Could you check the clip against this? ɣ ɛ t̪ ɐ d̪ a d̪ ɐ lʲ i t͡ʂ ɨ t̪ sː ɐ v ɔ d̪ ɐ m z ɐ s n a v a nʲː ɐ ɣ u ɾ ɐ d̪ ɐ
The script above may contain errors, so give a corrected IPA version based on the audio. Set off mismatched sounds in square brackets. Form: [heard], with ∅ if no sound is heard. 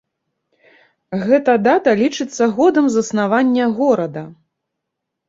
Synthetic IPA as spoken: ɣ ɛ t̪ ɐ d̪ a [t̪] ɐ lʲ i t͡ʂ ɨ t̪ sː ɐ [ɣ] ɔ d̪ ɐ m z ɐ s n a v a nʲː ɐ ɣ [ɔ] ɾ ɐ d̪ ɐ